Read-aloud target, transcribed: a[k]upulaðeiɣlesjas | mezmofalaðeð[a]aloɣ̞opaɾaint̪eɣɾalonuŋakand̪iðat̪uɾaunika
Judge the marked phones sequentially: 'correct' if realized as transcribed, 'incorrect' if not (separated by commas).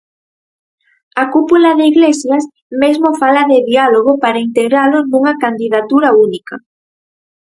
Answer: correct, incorrect